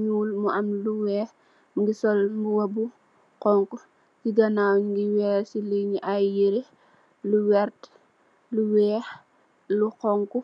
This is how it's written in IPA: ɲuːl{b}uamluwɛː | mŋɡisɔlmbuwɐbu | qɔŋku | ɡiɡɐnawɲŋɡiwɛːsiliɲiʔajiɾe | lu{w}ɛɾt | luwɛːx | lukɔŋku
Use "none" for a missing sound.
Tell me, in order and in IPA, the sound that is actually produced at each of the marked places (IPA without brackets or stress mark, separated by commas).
m, w